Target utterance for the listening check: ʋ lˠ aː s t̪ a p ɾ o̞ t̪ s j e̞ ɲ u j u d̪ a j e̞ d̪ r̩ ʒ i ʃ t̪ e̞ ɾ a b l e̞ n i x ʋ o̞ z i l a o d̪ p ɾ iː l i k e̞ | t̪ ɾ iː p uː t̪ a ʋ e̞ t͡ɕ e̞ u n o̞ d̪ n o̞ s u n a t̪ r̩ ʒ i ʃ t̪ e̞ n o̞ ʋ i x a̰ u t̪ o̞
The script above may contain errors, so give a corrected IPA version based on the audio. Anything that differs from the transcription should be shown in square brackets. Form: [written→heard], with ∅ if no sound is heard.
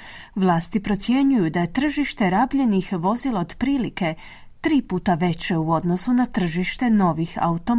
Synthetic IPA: ʋ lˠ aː s t̪ [a→i] p ɾ o̞ t̪ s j e̞ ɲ u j u d̪ a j e̞ [d̪→t̪] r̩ ʒ i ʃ t̪ e̞ ɾ a b [l→ʎ] e̞ n i x ʋ o̞ z i l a o d̪ p ɾ iː l i k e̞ | t̪ ɾ iː p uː t̪ a ʋ e̞ t͡ɕ e̞ u [n→∅] o̞ d̪ n o̞ s u n a t̪ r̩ ʒ i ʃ t̪ e̞ n o̞ ʋ i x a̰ u t̪ o̞